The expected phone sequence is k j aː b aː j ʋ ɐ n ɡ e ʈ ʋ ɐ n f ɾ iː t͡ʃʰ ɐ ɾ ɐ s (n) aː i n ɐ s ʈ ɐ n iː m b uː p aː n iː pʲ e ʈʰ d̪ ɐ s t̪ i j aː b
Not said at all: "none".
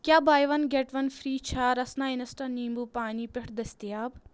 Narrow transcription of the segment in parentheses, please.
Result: n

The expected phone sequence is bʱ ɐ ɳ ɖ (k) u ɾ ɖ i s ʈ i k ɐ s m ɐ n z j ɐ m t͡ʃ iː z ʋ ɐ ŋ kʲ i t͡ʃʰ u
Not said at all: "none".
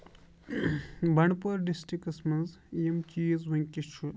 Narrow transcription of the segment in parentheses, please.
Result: p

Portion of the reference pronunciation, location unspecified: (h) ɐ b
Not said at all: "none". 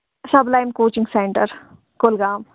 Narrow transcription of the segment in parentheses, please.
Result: s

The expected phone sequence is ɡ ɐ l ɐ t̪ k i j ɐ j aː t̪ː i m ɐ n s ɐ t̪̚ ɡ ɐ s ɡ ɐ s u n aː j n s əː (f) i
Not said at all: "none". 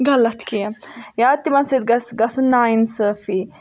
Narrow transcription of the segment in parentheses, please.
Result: f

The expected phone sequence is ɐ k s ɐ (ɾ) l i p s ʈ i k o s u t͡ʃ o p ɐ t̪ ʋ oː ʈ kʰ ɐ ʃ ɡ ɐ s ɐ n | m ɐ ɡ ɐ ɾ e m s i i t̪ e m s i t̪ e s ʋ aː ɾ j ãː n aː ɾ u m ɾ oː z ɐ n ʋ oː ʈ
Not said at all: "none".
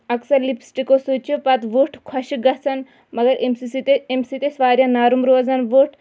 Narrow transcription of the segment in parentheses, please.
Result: ɾ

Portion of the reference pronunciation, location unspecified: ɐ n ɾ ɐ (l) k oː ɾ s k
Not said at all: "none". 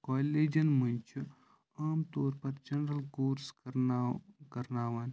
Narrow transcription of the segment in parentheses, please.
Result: l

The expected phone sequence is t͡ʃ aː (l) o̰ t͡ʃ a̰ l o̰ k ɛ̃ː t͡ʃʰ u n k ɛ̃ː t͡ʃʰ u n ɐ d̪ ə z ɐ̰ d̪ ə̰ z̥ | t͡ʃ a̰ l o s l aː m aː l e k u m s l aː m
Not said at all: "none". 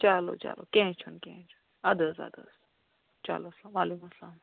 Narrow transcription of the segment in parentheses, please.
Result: l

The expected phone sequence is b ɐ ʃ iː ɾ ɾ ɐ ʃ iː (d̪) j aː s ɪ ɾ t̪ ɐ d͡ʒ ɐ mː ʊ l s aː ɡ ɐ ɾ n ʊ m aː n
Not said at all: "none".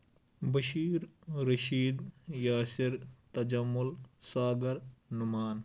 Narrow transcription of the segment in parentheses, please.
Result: d̪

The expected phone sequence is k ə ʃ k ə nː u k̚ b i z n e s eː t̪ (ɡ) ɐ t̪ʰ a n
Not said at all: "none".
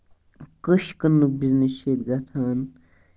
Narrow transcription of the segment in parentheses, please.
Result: ɡ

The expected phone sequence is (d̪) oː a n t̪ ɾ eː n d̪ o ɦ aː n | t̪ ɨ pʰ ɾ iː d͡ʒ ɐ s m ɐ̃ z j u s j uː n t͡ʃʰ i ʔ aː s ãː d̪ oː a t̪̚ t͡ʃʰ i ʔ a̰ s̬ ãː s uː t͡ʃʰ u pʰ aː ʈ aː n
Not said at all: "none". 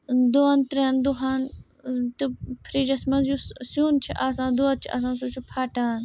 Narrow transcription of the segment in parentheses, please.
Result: d̪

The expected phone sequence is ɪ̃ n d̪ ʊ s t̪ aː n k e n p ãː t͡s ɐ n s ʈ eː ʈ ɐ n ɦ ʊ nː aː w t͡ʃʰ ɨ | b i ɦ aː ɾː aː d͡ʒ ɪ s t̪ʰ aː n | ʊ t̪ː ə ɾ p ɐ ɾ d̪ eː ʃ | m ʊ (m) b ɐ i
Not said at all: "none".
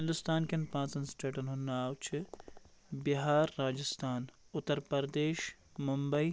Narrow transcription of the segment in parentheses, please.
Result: m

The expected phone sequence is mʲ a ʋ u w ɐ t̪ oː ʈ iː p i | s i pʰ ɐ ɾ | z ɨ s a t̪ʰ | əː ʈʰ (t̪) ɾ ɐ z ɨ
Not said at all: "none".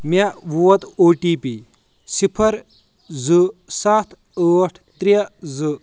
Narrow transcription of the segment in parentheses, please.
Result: t̪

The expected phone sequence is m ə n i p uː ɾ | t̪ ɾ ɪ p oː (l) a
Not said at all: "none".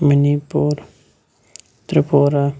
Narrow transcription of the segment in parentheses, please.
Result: ɾ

